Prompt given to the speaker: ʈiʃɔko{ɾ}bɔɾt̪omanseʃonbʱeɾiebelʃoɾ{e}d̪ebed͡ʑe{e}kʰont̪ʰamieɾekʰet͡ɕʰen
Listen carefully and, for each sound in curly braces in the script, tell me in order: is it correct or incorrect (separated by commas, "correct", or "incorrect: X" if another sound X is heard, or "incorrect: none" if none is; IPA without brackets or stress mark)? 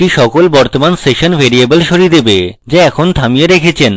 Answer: incorrect: l, incorrect: i, incorrect: ɛ